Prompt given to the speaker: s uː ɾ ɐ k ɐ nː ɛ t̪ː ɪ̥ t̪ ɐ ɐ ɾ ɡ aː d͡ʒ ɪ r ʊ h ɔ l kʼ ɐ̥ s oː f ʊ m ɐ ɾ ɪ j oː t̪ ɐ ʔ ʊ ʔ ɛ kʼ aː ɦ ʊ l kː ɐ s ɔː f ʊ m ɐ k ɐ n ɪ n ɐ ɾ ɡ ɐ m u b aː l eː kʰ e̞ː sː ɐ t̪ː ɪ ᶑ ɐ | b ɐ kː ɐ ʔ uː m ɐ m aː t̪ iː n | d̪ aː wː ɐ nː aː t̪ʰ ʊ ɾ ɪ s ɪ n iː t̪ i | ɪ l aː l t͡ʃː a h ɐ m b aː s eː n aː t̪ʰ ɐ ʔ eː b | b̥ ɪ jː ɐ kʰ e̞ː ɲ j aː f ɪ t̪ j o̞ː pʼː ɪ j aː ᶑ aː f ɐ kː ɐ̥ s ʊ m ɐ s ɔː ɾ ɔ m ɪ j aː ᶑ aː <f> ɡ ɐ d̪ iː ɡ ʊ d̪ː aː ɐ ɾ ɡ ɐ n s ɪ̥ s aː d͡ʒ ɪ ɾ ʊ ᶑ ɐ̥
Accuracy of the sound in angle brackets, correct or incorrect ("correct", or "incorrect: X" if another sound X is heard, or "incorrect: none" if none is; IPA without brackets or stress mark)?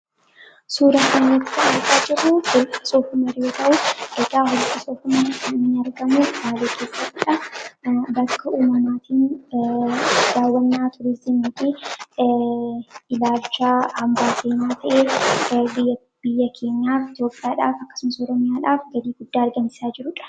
correct